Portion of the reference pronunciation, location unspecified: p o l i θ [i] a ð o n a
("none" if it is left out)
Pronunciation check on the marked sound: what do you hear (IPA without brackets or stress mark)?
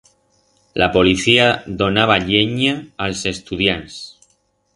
i